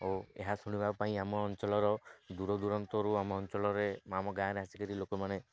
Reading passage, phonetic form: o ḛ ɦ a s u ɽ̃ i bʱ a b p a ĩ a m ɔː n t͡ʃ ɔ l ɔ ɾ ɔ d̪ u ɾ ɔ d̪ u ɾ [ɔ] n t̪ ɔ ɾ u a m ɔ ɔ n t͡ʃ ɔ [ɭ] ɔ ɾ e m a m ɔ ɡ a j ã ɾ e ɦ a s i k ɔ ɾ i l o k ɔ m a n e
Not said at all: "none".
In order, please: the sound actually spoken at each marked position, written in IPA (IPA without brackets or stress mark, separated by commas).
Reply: ɔ, l